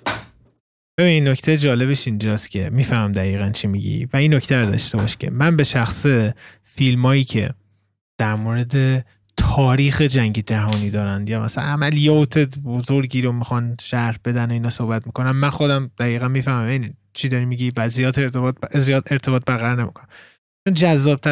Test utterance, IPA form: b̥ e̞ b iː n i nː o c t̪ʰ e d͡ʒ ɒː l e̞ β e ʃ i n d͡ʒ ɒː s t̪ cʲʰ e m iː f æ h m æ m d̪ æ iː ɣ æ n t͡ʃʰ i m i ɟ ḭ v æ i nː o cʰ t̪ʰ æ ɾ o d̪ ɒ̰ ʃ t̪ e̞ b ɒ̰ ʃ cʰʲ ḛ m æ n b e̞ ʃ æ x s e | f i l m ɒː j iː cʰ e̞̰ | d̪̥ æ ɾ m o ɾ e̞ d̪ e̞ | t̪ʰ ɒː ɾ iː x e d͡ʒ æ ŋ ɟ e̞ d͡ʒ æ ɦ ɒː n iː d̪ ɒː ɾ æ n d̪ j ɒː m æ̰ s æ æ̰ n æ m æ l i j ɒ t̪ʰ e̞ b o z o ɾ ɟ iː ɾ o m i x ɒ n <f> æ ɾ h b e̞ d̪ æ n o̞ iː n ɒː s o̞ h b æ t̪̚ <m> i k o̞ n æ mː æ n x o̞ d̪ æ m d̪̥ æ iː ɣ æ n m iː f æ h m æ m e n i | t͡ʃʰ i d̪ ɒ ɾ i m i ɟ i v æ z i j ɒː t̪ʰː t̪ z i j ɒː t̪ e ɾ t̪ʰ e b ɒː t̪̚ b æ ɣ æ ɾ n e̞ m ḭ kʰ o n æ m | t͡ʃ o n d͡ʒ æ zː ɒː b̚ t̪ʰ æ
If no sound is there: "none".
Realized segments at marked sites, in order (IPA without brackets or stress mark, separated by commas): ʃ, m